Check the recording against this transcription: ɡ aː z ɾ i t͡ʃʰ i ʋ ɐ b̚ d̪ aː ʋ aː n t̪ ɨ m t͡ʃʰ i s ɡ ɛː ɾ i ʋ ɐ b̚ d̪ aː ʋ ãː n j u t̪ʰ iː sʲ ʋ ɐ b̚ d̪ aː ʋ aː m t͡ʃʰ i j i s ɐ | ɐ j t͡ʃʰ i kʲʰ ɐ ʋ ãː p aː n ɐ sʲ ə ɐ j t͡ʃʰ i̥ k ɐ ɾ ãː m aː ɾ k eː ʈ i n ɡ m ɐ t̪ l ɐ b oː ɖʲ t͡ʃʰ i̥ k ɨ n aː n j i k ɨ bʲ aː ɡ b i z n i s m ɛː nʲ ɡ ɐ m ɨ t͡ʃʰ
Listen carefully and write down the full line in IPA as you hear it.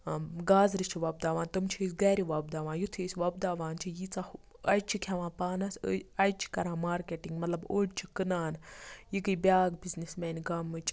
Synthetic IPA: ɡ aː z ɾ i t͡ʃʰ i ʋ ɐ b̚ d̪ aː ʋ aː n t̪ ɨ m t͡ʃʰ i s ɡ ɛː ɾ i ʋ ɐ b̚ d̪ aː ʋ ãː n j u t̪ʰ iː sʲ ʋ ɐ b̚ d̪ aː ʋ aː n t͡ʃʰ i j i t͡s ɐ | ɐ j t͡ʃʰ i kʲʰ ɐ ʋ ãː p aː n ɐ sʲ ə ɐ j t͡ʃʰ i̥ k ɐ ɾ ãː m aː ɾ k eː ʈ i ŋ ɡ m ɐ t̪ l ɐ b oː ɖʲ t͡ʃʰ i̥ k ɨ n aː n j i k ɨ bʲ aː ɡ b i z n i s m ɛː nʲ ɡ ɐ m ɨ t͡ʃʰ